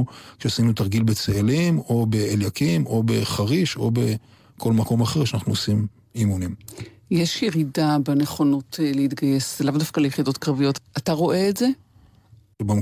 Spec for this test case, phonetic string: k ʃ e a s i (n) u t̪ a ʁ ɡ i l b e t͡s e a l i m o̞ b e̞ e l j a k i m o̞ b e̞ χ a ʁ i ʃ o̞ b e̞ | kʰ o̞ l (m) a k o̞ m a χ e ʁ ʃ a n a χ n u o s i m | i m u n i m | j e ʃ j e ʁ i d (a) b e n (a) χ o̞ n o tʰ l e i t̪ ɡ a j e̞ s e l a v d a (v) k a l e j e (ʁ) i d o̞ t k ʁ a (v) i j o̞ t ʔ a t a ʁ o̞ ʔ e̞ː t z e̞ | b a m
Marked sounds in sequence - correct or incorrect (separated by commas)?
correct, correct, correct, incorrect, incorrect, incorrect, correct